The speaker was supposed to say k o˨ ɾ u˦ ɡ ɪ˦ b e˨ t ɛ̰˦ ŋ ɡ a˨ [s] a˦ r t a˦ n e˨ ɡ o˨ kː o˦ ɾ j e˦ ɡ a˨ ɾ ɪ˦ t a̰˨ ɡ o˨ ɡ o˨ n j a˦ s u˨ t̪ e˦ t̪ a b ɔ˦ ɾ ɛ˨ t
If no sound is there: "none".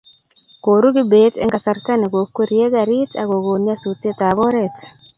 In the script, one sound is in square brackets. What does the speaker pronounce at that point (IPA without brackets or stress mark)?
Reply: s